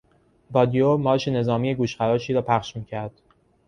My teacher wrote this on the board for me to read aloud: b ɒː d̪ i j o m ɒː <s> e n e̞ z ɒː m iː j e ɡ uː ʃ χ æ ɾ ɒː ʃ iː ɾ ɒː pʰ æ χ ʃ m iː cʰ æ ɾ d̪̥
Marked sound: incorrect: ʃ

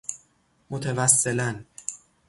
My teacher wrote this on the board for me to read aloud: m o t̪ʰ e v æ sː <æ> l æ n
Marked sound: incorrect: e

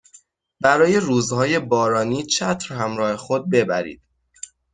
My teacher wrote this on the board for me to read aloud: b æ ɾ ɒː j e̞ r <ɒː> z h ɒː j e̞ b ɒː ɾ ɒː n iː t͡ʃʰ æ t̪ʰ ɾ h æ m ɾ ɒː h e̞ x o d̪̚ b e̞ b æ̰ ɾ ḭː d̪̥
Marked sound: incorrect: uː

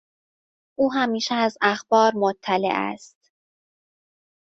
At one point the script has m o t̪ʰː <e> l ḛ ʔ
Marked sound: incorrect: æ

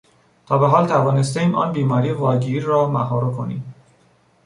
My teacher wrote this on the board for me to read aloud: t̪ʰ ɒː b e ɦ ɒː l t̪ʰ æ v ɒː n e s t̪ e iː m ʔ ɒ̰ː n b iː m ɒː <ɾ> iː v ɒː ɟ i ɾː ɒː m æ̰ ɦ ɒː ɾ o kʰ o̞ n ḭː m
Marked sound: correct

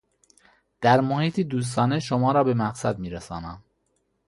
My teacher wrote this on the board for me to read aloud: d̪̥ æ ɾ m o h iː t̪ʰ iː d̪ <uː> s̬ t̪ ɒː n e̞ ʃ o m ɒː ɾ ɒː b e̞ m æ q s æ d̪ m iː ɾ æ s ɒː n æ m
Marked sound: correct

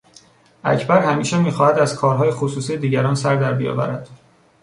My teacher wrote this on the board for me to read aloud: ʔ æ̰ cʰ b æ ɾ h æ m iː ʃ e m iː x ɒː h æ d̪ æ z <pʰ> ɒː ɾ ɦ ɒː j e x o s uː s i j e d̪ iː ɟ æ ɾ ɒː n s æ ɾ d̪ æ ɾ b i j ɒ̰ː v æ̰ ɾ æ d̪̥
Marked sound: incorrect: kʰ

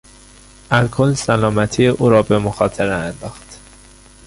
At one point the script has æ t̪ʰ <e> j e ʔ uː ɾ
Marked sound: incorrect: i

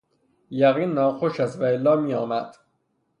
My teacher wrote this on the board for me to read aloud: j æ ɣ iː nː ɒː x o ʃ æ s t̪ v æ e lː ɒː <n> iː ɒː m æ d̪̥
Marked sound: incorrect: m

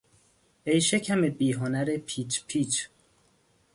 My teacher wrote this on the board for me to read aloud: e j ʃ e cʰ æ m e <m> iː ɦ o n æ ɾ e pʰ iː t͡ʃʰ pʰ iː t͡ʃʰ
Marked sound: incorrect: b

